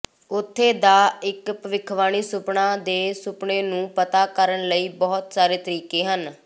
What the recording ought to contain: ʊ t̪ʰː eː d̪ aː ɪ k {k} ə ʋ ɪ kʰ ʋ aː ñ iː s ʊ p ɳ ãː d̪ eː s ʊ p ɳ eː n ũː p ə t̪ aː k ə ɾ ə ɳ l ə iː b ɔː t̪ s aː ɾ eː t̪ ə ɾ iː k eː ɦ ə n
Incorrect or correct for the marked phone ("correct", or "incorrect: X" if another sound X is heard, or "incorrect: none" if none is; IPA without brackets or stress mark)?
incorrect: p